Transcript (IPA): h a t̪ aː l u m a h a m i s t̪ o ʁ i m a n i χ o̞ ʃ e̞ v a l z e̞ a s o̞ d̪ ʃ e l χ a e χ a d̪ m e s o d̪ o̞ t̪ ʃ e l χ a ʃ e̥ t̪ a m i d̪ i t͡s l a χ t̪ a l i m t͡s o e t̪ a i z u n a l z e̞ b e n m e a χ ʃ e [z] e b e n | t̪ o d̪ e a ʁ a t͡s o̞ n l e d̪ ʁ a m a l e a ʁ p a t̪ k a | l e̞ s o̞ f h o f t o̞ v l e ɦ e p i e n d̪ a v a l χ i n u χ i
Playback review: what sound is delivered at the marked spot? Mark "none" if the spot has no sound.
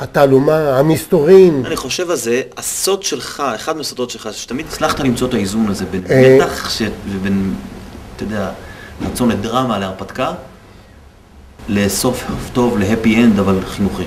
v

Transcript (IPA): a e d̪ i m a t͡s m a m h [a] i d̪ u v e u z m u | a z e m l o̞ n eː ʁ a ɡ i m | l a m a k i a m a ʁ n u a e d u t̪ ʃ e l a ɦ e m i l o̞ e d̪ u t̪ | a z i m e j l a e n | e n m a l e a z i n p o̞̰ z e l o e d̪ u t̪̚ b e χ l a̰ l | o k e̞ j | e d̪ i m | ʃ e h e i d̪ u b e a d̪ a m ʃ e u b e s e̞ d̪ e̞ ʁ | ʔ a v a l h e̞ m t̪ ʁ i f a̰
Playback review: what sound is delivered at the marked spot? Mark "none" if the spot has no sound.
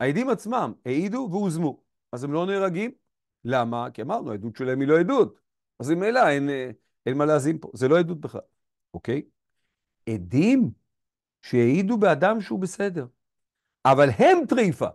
e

